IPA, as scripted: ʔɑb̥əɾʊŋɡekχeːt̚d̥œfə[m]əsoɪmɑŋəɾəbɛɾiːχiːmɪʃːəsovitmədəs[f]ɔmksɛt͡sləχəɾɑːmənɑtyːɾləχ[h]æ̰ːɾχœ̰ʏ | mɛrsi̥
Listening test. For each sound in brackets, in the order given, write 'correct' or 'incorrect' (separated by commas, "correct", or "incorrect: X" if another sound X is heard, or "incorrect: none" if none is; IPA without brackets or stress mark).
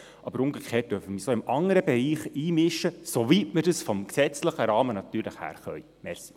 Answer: correct, correct, correct